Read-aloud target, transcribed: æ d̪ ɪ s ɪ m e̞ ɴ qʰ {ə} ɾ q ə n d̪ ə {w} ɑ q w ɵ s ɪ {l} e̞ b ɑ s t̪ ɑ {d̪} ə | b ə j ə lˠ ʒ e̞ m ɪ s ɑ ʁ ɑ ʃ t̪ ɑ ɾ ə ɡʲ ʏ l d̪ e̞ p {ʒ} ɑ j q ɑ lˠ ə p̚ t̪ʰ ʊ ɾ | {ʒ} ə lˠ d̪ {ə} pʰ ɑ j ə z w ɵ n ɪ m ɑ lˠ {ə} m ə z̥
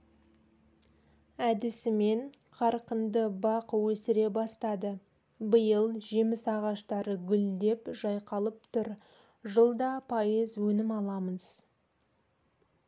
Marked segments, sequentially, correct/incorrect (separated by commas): incorrect, incorrect, incorrect, correct, correct, correct, incorrect, incorrect